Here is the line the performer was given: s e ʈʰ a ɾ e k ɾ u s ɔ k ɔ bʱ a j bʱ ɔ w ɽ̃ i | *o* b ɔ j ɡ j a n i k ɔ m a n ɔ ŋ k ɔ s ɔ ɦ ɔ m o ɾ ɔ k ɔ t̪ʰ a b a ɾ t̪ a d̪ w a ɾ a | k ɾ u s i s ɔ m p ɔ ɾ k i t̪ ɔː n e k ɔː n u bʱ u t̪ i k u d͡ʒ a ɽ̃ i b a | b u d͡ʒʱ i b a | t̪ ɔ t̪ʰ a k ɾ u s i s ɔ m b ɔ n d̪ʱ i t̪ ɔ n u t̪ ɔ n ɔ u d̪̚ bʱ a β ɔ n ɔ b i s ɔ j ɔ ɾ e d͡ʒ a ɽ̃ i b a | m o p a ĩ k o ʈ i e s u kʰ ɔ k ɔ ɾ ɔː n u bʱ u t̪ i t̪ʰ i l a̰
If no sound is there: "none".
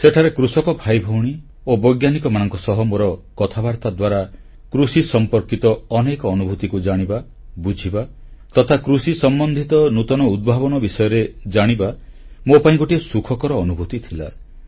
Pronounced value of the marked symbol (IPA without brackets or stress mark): o